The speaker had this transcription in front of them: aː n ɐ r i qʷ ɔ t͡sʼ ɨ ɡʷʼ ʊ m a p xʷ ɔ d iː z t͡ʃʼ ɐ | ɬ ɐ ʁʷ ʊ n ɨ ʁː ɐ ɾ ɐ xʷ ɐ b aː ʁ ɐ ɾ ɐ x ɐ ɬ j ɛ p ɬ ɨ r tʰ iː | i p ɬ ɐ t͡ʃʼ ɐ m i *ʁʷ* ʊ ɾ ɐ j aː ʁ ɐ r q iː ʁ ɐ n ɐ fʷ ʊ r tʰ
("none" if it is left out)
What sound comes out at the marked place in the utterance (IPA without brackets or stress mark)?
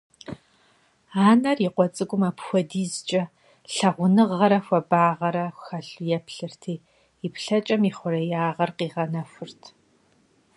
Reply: χʷ